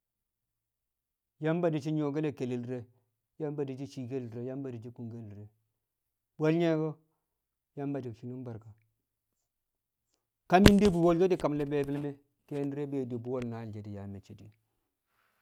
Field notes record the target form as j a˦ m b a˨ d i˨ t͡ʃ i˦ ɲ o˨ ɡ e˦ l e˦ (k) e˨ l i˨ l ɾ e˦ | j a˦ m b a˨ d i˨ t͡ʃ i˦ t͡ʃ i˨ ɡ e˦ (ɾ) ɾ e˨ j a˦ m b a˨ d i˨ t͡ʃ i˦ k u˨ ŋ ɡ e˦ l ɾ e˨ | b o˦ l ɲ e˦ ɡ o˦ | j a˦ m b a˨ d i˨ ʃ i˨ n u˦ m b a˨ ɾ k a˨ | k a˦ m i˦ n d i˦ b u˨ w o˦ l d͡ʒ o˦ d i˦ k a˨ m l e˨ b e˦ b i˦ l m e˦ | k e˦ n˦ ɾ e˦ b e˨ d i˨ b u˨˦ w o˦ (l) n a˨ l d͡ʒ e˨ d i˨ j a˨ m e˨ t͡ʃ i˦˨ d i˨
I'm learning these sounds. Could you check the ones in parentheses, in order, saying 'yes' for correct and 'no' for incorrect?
yes, no, yes

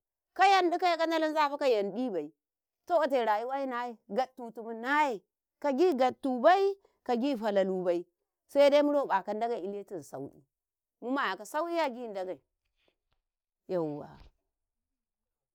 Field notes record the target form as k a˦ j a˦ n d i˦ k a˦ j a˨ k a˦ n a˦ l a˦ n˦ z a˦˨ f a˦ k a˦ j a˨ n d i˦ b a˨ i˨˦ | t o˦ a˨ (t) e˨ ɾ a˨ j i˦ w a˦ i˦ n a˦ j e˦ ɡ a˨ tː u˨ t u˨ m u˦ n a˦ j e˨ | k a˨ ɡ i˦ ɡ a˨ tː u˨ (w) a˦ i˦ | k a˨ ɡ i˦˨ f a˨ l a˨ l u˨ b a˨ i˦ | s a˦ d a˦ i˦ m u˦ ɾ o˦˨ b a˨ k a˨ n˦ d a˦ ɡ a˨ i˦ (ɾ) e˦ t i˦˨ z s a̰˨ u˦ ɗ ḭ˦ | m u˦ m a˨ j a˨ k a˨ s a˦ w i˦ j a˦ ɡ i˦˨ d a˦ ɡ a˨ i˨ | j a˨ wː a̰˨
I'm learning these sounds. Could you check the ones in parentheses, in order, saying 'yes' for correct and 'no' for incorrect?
yes, no, no

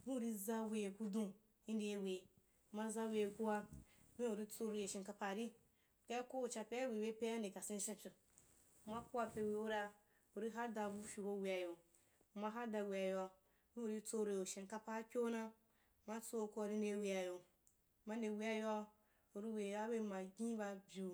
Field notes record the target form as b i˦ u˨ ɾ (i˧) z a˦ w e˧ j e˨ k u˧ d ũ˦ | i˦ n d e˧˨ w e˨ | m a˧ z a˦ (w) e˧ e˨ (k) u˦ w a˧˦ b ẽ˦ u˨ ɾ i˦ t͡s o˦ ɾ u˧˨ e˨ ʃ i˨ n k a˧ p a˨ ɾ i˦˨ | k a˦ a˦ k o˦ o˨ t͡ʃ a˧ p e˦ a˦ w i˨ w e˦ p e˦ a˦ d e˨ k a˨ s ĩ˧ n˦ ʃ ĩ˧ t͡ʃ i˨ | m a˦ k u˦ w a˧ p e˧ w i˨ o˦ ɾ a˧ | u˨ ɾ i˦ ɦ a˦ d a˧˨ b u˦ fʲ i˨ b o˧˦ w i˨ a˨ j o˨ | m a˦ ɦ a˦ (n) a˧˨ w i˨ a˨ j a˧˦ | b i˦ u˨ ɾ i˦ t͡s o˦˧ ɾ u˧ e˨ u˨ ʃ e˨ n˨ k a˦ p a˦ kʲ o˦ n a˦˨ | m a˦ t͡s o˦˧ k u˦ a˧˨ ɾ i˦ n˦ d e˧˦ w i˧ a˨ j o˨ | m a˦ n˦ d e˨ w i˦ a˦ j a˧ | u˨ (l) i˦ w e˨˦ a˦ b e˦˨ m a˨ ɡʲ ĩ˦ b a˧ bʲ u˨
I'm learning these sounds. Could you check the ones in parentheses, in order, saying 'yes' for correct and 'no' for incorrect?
yes, yes, yes, no, no

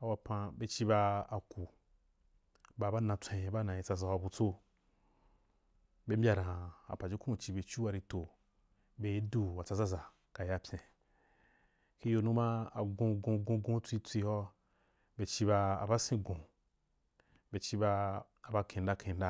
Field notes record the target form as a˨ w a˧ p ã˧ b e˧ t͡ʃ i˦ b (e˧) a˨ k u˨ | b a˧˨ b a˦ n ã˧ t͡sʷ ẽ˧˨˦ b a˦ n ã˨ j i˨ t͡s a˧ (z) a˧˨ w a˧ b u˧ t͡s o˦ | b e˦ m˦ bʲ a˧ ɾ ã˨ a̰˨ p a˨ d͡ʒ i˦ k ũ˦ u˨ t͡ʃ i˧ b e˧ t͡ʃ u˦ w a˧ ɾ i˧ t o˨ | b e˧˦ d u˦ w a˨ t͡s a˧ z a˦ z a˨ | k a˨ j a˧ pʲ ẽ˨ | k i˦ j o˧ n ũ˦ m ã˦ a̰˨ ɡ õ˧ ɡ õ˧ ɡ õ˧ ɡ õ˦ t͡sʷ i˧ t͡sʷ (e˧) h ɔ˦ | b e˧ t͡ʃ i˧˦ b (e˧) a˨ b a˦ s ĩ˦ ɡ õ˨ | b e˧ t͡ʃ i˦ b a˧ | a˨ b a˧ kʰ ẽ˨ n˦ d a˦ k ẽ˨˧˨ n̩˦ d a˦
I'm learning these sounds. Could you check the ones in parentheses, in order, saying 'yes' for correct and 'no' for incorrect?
no, yes, no, no

